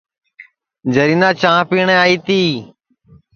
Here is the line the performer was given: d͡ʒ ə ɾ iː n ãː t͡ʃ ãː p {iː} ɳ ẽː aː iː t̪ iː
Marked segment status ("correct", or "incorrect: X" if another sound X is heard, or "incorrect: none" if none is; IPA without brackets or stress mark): correct